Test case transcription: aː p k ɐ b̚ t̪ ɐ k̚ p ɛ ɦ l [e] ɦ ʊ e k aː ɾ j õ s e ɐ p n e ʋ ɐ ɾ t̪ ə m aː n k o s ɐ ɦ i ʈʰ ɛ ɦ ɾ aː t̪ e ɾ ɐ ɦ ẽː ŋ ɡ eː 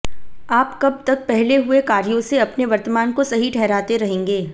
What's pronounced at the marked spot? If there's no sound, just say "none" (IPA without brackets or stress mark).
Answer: e